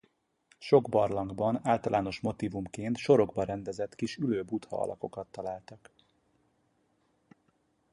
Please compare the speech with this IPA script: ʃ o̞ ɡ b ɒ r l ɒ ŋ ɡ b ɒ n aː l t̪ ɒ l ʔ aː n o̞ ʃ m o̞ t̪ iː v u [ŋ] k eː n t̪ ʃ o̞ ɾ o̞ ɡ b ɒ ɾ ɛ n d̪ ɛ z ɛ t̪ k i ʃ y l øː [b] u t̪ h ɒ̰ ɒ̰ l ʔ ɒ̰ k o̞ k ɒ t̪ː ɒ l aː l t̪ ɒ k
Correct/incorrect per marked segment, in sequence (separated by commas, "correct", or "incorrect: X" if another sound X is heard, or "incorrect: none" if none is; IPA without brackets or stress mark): incorrect: m, correct